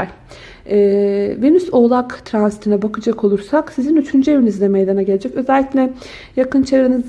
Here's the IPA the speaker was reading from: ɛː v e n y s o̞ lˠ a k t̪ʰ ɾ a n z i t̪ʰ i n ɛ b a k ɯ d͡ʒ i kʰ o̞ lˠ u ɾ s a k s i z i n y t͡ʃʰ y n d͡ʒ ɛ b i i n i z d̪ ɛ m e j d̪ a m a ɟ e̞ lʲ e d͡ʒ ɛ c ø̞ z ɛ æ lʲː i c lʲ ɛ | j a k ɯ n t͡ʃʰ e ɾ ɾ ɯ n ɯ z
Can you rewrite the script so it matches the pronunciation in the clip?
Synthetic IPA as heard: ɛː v e n y s o̞ lˠ a k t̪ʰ ɾ a n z i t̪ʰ i n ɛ b a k ɯ d͡ʒ a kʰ o̞ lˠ u ɾ s a k s i z i n y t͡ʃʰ y n d͡ʒ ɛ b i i n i z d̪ ɛ m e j d̪ a n a ɟ e̞ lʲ e d͡ʒ ɛ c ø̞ z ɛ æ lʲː i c lʲ ɛ | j a k ɯ n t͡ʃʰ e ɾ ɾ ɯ n ɯ z

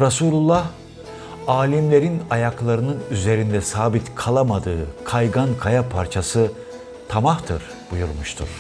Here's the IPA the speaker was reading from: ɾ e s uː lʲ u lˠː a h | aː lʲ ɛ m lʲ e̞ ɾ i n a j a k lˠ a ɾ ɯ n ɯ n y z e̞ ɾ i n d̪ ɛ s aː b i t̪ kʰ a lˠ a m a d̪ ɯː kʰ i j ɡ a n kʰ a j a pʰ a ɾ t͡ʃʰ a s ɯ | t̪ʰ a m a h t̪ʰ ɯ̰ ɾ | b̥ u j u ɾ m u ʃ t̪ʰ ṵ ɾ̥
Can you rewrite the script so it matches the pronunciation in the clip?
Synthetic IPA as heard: ɾ a s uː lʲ u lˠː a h | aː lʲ i m lʲ e̞ ɾ i n a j a k lˠ a ɾ ɯ n ɯ n y z e̞ ɾ i n d̪ ɛ s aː b i t̪ kʰ a lˠ a m a d̪ ɯː kʰ a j ɡ a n kʰ a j a pʰ a ɾ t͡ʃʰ a s ɯ | t̪ʰ a m a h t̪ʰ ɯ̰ ɾ | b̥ u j u ɾ m u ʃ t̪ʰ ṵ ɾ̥

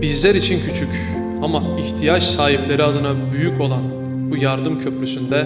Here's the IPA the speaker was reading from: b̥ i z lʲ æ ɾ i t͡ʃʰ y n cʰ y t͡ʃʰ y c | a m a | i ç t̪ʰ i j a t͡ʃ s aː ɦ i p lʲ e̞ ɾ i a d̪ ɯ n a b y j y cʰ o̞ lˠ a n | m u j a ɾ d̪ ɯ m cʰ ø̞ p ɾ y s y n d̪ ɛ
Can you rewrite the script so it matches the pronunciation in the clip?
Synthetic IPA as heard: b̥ i z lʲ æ ɾ i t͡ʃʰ i n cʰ y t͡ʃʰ y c | a m a | i ç t̪ʰ i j a t͡ʃ s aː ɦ i p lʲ e̞ ɾ i a d̪ ɯ n a b y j y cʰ o̞ lˠ a n | b u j a ɾ d̪ ɯ m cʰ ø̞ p ɾ y s y n d̪ ɛ

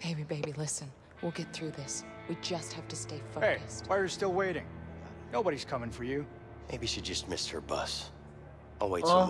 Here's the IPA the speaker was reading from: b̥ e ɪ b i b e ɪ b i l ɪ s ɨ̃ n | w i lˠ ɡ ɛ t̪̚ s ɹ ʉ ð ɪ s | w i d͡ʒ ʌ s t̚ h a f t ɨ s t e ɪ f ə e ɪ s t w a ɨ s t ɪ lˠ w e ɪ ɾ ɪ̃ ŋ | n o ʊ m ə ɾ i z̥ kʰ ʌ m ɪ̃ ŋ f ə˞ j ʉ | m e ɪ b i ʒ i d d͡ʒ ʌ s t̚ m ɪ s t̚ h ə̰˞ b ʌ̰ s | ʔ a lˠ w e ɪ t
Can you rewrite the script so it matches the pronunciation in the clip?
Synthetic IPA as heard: b̥ e ɪ b i b e ɪ b i l ɪ s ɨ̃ n | w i lˠ ɡ ɛ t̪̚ θ ɹ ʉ ð ɪ s | w i d͡ʒ ʌ s t̚ h æ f t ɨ s t e ɪ f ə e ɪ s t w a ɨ s t ɪ lˠ w e ɪ ɾ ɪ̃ ŋ | n o ʊ b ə ɾ i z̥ kʰ ʌ m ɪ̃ ŋ f ə˞ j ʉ | m e ɪ b i ʃ i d d͡ʒ ʌ s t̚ m ɪ s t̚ h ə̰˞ b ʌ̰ s | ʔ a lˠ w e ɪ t

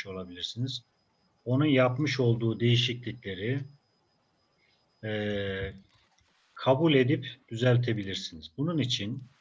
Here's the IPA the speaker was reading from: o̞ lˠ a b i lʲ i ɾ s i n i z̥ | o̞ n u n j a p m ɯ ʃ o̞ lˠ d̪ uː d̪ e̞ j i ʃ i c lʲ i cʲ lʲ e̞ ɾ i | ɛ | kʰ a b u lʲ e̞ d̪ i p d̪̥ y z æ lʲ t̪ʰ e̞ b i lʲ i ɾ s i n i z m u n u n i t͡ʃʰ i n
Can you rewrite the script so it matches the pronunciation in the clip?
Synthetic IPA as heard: o̞ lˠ a b i lʲ i ɾ s i n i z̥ | o̞ n u n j a p m ɯ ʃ o̞ lˠ d̪ uː d̪ e̞ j i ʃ i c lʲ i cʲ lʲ e̞ ɾ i | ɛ | kʰ a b u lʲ e̞ d̪ i p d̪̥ y z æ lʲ t̪ʰ e̞ b i lʲ i ɾ s i n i z b u n u n i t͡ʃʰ i n

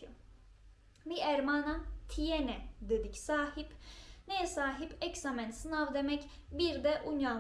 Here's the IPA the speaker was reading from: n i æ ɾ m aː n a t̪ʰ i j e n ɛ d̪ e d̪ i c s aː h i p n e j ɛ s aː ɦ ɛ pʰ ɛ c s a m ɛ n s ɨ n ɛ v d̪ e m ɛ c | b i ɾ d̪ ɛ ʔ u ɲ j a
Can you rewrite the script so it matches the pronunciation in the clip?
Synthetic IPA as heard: m i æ ɾ m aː n a t̪ʰ i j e n ɛ d̪ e d̪ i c s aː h i p n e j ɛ s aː ɦ i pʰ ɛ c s a m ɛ n s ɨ n a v d̪ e m ɛ c | b i ɾ d̪ ɛ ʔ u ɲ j a

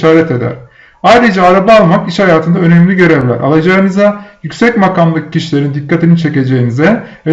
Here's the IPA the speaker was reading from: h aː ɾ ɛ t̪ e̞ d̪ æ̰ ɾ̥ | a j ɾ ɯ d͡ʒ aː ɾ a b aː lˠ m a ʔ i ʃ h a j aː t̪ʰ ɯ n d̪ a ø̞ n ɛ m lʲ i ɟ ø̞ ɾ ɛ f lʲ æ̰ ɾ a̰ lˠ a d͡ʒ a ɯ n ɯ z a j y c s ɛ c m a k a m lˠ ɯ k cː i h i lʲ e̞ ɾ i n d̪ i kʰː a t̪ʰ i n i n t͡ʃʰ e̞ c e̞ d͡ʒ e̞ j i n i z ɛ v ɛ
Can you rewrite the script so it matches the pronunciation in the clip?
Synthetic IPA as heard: ʃ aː ɾ ɛ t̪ e̞ d̪ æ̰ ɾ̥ | a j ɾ ɯ d͡ʒ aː ɾ a b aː lˠ m a k i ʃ h a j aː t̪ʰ ɯ n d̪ a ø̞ n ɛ m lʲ i ɟ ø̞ ɾ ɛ v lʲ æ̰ ɾ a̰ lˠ a d͡ʒ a ɯ n ɯ z a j y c s ɛ c m a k a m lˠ ɯ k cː i ʃ i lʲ e̞ ɾ i n d̪ i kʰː a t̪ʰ i n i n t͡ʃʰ e̞ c e̞ d͡ʒ e̞ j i n i z ɛ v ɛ

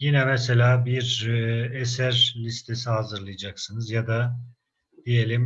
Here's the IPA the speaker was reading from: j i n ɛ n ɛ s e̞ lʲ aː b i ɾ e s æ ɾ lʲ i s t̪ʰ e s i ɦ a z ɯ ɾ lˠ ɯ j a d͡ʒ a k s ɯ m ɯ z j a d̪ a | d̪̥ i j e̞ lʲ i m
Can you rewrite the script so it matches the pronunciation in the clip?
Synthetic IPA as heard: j i n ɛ m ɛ s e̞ lʲ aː b i ɾ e s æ ɾ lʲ i s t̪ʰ e s i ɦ a z ɯ ɾ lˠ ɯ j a d͡ʒ a k s ɯ n ɯ z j a d̪ a | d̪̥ i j e̞ lʲ i m

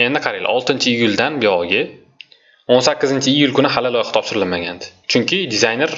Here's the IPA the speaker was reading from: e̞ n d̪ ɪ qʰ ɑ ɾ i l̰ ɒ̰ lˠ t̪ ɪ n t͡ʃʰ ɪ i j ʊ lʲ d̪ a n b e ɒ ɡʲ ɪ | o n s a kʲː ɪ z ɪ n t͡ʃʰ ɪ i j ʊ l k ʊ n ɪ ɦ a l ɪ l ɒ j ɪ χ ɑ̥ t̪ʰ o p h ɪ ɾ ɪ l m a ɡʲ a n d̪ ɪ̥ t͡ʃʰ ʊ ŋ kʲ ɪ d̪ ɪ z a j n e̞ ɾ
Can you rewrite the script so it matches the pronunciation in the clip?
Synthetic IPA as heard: e̞ n d̪ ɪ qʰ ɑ ɾ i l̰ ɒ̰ lˠ t̪ ɪ n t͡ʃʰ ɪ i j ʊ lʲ d̪ a n b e ɒ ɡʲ ɪ | o n s a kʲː ɪ z ɪ n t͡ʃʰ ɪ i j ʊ l k ʊ n ɪ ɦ a l ɪ l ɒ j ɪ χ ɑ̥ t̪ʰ ɒ p ʃ ɪ ɾ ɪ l m a ɡʲ a n d̪ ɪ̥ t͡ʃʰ ʊ ŋ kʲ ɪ d̪ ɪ z a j n e̞ ɾ

